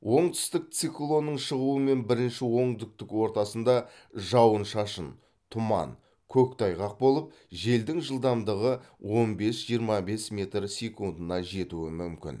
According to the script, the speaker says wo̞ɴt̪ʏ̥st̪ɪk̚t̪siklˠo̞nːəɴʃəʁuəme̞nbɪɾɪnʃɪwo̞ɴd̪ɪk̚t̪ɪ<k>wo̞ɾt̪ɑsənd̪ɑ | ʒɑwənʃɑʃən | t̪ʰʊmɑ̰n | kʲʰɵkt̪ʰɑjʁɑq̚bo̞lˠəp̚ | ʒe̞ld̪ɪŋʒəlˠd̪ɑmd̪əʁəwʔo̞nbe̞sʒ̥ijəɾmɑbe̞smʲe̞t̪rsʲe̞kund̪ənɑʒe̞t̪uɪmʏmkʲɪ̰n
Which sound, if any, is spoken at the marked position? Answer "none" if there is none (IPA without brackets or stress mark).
k